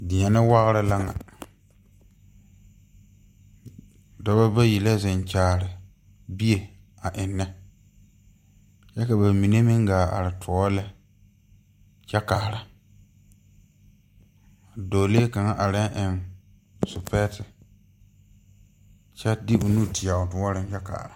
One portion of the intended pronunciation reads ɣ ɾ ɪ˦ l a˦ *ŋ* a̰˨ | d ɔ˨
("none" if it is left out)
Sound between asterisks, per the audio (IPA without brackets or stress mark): ŋ